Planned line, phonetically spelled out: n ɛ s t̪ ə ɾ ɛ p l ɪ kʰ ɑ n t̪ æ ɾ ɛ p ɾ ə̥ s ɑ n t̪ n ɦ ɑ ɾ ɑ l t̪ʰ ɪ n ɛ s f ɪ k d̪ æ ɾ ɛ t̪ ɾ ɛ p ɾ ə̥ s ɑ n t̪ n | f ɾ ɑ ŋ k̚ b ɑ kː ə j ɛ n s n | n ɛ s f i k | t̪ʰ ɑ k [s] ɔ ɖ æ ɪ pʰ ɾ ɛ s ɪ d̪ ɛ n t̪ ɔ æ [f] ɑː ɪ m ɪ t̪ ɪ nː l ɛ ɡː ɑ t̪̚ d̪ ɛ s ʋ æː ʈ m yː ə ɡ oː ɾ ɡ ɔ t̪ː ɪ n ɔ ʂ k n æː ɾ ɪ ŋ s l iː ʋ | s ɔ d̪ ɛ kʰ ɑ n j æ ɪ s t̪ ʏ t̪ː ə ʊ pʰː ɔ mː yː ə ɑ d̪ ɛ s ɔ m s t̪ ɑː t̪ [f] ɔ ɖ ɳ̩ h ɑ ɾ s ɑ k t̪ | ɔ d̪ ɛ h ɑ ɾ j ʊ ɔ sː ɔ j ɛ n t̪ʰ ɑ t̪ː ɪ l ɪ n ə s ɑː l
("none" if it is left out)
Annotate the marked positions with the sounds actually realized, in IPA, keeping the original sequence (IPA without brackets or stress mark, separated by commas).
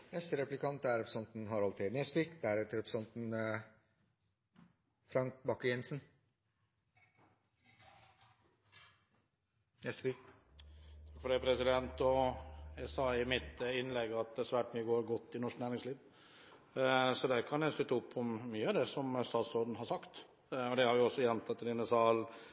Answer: f, s, s